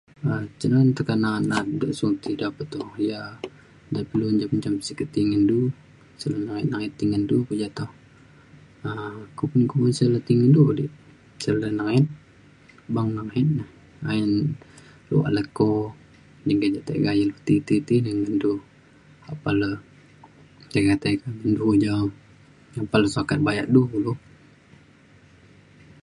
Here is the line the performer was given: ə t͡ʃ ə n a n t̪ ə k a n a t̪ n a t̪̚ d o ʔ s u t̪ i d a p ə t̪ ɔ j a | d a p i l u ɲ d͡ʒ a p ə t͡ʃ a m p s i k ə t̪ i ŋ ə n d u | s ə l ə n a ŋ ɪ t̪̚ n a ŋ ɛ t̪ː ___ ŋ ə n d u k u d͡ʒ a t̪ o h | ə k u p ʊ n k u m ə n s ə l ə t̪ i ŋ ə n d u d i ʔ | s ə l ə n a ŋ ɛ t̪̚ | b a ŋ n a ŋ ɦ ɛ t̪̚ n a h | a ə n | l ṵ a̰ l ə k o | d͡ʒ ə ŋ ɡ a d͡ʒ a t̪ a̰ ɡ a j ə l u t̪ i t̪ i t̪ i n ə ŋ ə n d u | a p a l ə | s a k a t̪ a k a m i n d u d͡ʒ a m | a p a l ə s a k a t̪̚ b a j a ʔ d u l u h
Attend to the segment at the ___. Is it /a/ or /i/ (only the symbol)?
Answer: i